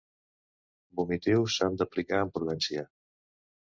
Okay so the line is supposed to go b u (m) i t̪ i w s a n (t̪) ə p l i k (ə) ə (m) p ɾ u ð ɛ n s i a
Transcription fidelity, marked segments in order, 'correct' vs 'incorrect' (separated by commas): correct, incorrect, incorrect, correct